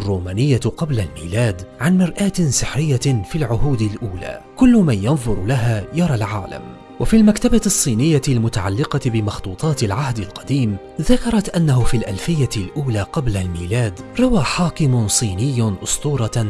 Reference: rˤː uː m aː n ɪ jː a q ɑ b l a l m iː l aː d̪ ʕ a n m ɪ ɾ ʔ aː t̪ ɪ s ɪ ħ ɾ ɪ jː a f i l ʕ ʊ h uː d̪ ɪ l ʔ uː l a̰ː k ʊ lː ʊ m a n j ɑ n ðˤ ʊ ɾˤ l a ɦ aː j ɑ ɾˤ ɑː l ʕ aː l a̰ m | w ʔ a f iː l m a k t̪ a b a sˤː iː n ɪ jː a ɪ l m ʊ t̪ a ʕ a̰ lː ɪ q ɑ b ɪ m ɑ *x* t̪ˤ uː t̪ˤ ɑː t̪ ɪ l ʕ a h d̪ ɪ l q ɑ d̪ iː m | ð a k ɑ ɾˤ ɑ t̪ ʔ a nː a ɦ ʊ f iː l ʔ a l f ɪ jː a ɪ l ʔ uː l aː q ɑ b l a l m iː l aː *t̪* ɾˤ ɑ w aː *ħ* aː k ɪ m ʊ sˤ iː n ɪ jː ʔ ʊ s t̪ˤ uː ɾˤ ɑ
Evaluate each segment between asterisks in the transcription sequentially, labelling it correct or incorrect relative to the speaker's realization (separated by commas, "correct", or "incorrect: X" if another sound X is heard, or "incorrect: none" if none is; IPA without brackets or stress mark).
correct, incorrect: d̪, correct